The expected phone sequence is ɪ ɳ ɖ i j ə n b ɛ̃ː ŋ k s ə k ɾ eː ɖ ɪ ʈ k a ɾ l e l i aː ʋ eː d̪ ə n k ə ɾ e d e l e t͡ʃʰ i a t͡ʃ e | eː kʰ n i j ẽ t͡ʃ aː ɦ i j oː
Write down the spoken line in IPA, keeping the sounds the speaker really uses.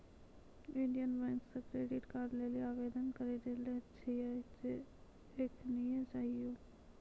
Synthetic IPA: ɪ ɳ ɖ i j ə n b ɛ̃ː ŋ k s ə k ɾ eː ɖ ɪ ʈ k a ɾ l e l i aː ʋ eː d̪ ə n k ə ɾ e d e l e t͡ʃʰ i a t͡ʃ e | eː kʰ n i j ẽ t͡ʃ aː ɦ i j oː